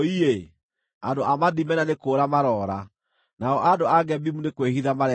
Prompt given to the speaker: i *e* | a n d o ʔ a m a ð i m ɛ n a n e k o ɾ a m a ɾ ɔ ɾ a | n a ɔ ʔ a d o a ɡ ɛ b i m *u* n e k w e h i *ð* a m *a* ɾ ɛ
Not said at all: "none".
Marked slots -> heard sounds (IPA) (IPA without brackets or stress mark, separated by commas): e, u, ð, a